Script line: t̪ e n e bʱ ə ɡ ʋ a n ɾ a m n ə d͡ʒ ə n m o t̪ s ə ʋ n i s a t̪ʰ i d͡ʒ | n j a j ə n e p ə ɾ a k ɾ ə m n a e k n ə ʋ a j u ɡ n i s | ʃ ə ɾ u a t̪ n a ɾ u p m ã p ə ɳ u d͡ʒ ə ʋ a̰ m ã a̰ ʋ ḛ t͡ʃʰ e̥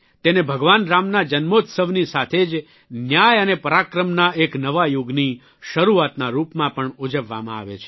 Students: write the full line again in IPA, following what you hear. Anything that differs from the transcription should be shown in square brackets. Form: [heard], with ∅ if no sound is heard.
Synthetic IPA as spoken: t̪ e n e bʱ ə ɡ ʋ a n ɾ a m n [a] d͡ʒ ə n m o t̪ s ə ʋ n i s a t̪ʰ [e] d͡ʒ | n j a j ə n e p ə ɾ a k ɾ ə m n a e k n ə ʋ a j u ɡ n i [∅] | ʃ ə ɾ u a t̪ n a ɾ u p m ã p ə ɳ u d͡ʒ ə [ʋː] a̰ m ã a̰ ʋ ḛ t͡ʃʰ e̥